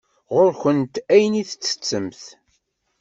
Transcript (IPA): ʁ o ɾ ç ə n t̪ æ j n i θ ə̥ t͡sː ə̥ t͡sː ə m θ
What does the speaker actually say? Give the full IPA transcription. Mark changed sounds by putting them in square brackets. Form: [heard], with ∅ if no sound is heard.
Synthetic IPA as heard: ʁ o ɾ ç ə n t̪ æ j n i θ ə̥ t͡sː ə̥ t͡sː ə m θ